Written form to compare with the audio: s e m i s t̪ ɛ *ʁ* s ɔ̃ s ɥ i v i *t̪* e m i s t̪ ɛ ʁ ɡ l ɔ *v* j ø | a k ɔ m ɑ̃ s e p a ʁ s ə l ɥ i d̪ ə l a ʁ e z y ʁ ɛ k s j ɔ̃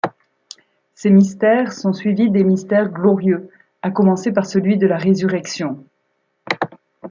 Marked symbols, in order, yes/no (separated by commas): yes, no, no